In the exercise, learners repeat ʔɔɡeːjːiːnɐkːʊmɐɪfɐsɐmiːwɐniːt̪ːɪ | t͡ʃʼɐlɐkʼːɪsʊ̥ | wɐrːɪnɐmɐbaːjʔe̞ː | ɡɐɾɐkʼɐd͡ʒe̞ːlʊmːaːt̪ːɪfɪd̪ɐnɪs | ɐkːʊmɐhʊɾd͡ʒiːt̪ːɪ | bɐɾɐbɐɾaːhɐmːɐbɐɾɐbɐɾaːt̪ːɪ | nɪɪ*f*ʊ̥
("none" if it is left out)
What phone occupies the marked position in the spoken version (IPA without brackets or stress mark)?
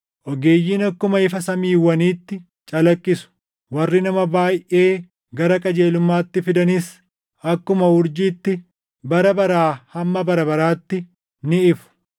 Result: f